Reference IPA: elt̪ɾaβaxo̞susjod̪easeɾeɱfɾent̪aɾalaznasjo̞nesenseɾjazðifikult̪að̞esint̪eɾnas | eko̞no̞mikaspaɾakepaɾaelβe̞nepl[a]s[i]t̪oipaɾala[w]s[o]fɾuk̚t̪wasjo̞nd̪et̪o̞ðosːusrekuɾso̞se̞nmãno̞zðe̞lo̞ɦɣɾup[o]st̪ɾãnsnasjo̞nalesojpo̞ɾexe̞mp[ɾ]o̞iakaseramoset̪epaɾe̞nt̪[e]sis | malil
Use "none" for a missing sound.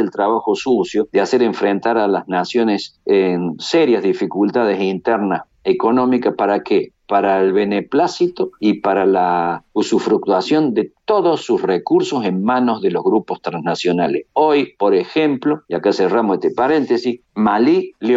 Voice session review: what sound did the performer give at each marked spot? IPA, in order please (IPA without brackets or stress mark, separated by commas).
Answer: a, i, u, u, o, l, e